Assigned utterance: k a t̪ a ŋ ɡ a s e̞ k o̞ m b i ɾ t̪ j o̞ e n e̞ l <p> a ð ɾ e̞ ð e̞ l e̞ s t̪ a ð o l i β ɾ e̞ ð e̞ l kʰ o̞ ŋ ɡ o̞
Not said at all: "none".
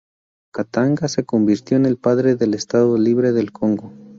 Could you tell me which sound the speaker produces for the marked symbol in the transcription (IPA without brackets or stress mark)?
p